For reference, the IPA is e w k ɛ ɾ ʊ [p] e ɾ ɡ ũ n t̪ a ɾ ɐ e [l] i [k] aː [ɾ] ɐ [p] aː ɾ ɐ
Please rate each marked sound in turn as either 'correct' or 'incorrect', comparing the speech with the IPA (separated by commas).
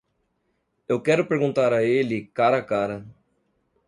correct, correct, correct, correct, incorrect